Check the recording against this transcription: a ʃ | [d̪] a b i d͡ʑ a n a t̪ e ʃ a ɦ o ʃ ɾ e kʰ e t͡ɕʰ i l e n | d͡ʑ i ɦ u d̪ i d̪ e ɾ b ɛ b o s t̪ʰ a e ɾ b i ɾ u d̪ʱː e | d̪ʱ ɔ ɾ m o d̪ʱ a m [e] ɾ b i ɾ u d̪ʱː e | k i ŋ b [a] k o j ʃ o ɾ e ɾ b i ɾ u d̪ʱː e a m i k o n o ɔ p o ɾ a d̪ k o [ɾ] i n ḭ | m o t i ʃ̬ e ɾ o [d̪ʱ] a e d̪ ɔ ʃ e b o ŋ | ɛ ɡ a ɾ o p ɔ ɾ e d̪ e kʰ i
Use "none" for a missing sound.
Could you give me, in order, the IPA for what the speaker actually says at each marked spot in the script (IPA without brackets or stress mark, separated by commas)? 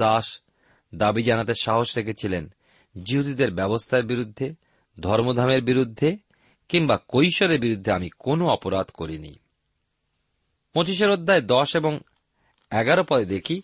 d̪, e, a, ɾ, d̪ʱː